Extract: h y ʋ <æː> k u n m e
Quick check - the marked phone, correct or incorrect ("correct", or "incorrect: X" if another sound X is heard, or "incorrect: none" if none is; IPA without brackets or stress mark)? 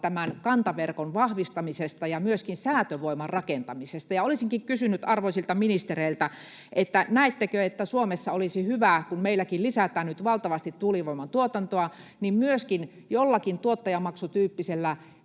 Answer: incorrect: æ